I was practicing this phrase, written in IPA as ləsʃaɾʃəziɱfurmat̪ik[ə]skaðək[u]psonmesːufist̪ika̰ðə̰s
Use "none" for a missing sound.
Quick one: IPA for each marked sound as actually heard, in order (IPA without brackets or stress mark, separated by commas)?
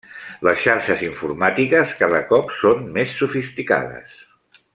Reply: ə, ɔ